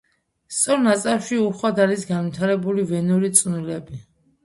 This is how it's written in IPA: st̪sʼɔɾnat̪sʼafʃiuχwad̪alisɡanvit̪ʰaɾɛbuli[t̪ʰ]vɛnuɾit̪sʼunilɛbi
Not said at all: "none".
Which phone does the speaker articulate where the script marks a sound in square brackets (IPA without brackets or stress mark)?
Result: none